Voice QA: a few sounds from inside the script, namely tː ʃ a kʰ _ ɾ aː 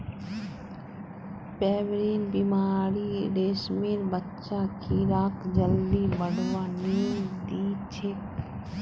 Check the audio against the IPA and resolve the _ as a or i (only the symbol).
i